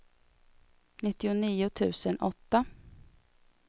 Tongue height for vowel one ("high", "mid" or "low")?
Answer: high